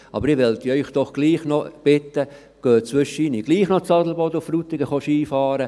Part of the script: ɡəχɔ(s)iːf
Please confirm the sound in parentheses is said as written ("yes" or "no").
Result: no